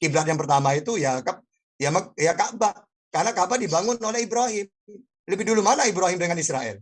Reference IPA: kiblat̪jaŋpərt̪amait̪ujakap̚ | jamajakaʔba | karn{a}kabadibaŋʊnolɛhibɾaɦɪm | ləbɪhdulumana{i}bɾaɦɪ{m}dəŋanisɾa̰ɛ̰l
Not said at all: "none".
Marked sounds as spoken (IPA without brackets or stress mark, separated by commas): a, i, m